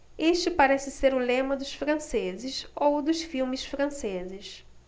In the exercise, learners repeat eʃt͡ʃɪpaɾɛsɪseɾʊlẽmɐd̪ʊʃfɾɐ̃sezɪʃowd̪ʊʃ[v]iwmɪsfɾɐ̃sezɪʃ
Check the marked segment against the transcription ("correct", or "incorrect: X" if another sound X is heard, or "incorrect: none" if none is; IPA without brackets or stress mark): incorrect: f